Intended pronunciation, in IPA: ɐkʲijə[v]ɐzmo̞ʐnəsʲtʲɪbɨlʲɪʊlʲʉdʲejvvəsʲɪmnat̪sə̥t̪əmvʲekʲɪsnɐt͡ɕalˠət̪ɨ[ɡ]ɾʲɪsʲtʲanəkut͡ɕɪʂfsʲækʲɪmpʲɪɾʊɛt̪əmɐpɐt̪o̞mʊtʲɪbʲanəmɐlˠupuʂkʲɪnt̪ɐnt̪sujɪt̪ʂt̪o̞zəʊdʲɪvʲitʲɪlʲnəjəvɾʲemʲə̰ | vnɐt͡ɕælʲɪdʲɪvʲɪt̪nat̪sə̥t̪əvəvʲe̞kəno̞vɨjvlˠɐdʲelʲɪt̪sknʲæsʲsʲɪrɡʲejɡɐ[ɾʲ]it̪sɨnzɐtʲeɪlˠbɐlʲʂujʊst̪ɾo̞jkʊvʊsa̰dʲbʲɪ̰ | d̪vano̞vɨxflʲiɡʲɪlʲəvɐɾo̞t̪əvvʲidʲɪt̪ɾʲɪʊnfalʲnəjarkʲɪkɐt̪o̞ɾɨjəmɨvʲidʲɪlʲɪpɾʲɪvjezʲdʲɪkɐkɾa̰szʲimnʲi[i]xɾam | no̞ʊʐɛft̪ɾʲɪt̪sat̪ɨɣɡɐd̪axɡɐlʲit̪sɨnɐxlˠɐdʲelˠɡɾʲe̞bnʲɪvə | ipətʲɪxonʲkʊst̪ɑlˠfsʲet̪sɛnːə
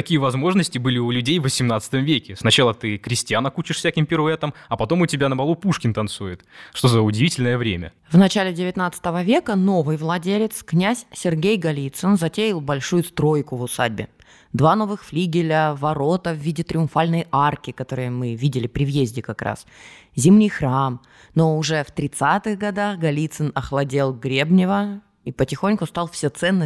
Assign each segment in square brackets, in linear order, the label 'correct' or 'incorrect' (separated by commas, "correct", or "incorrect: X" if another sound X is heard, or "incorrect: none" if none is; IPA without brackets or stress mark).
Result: correct, incorrect: k, incorrect: lʲ, incorrect: j